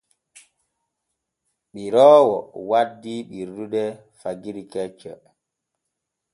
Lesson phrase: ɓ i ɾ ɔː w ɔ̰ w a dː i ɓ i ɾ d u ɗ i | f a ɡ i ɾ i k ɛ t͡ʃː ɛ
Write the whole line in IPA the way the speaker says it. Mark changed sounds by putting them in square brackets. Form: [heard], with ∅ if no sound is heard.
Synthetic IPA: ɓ i ɾ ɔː w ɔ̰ w a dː i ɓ i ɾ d u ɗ [ɛ] | f a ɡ i ɾ i k ɛ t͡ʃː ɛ